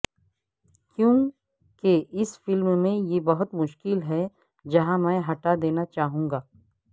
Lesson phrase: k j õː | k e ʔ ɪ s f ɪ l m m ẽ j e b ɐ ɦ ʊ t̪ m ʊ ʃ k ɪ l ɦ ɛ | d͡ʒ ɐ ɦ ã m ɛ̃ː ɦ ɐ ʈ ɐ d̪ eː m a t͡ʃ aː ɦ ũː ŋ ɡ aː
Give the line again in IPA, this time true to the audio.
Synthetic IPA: k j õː | k e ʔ ɪ s f ɪ l m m ẽ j e b ɐ ɦ ʊ t̪ m ʊ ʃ k ɪ l ɦ ɛ | d͡ʒ ɐ ɦ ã m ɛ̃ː ɦ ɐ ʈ a d̪ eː n a t͡ʃ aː ɦ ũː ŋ ɡ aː